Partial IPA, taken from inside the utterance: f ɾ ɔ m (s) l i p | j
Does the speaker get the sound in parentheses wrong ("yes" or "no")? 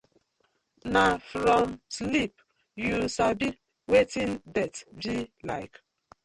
no